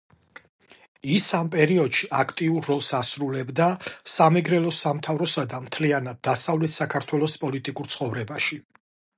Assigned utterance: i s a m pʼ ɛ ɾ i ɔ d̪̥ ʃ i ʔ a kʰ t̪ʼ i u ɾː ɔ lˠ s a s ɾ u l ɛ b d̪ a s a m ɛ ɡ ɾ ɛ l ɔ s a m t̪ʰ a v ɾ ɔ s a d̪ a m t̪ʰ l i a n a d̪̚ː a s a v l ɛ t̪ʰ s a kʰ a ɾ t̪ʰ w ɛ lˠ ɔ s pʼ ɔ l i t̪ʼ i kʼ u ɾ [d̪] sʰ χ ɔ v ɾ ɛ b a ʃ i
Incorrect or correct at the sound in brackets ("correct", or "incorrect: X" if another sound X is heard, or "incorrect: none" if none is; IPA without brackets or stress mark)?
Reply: incorrect: t̪